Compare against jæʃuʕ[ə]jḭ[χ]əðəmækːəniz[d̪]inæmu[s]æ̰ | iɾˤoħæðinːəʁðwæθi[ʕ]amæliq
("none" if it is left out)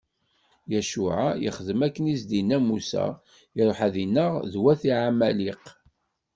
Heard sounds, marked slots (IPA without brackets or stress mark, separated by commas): a, χ, d̪, s, ʕ